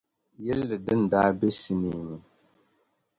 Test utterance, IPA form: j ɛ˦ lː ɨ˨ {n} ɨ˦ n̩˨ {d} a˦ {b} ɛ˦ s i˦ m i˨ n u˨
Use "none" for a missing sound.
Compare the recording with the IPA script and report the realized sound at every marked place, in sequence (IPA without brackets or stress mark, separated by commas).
d, d, b